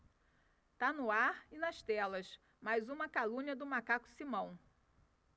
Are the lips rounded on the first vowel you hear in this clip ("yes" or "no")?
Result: no